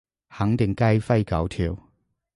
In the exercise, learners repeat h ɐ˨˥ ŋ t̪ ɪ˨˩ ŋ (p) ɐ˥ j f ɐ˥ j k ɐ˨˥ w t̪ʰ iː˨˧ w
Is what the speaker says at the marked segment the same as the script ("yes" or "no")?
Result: no